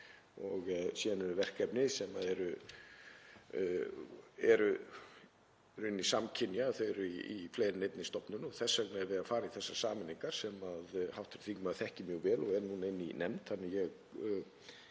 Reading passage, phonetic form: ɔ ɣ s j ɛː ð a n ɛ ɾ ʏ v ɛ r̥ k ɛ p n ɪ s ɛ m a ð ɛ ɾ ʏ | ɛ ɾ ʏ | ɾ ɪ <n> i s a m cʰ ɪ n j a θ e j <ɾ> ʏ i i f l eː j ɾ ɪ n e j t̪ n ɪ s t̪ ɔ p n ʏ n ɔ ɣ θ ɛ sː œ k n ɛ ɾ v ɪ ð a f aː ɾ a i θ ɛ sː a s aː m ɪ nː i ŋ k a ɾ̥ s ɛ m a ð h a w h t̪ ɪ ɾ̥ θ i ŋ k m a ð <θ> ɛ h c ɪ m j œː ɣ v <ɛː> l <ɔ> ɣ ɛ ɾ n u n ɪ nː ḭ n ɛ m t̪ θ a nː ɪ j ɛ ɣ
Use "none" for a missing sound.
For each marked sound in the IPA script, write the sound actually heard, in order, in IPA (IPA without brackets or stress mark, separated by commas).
nː, ɾ, θ, ɛː, ɔ